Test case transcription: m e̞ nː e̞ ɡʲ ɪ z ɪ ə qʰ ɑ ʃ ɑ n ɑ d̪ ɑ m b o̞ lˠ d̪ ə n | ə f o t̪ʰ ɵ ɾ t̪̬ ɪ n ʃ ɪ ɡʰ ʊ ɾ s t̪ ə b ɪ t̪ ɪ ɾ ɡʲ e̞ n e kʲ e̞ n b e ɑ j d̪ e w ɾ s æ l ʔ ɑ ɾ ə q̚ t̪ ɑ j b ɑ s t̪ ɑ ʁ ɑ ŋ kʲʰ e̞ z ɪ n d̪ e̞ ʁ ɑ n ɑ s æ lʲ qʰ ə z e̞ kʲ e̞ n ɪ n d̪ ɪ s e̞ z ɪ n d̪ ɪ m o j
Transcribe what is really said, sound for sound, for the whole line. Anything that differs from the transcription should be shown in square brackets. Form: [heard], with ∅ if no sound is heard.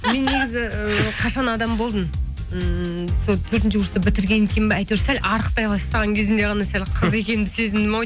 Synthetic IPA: m e̞ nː e̞ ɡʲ ɪ z ɪ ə qʰ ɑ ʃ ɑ n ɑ d̪ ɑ m b o̞ lˠ d̪ ə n | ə [s] o t̪ʰ ɵ ɾ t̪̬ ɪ n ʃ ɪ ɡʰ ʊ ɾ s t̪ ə b ɪ t̪ ɪ ɾ ɡʲ e̞ n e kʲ e̞ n b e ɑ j [t̪] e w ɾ s æ l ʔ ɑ ɾ ə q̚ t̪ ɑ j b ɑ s t̪ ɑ ʁ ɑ ŋ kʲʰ e̞ z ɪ n d̪ e̞ ʁ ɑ n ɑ s æ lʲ qʰ ə z e̞ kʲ e̞ n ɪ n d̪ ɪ s e̞ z ɪ n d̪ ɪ m o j